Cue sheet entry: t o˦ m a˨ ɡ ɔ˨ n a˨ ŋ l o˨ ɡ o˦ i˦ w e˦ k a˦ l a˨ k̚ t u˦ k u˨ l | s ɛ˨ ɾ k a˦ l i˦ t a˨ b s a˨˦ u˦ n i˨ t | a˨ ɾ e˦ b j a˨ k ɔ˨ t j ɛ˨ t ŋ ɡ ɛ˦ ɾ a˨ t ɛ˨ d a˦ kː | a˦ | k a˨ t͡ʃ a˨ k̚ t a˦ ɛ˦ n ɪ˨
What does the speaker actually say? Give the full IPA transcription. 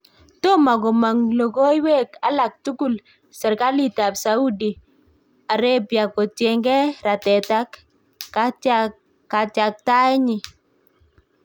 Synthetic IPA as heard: t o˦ m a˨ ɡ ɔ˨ m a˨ ŋ l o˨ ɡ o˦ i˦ w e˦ k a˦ l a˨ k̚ t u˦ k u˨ l | s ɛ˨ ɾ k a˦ l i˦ t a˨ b s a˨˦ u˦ d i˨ | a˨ ɾ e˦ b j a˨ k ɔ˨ t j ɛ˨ ŋ ɡ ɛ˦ ɾ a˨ t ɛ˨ t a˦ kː | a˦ | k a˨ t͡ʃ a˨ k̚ t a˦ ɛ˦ ɲ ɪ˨